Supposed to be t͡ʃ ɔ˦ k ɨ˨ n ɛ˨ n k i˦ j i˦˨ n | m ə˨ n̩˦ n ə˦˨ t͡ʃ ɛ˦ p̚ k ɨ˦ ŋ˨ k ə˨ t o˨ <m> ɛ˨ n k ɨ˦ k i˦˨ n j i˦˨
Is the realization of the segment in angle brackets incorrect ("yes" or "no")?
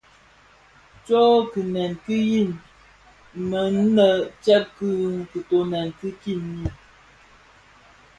yes